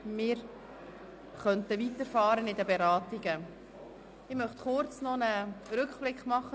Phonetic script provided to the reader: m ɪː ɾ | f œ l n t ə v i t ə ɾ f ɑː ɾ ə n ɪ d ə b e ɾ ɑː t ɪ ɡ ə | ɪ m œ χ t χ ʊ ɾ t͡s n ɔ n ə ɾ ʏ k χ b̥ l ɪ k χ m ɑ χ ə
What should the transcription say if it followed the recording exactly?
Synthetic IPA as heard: m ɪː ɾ | χ œ n t ə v i t ə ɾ f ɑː ɾ ə n ɪ d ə b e ɾ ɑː t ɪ ɡ ə | ɪ m œ χ t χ ʊ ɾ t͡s n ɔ n ə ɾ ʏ k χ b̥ l ɪ k χ m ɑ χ ə